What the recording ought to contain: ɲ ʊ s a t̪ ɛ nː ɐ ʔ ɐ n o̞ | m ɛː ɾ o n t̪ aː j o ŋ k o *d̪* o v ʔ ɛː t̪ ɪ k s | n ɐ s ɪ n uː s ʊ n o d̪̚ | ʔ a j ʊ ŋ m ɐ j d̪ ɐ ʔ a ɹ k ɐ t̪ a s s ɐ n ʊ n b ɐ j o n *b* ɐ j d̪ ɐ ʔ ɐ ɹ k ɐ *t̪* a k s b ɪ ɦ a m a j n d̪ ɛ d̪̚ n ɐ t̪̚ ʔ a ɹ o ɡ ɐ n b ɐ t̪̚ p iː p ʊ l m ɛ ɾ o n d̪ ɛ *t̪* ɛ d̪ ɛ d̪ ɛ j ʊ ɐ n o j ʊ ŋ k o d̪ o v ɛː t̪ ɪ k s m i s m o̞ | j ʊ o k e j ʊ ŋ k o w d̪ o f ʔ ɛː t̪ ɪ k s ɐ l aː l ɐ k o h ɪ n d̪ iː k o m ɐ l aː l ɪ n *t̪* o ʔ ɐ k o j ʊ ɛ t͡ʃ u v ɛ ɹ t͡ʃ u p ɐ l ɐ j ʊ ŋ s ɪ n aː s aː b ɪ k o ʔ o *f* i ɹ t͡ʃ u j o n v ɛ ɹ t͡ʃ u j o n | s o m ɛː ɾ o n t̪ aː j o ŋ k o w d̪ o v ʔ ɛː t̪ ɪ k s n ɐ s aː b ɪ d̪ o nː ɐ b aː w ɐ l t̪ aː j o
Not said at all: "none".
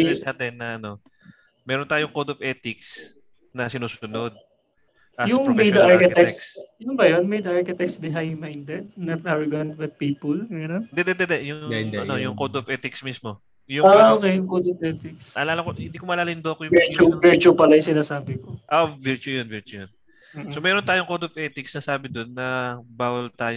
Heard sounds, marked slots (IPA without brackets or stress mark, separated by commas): d̪, m, t̪, d̪, d̪, v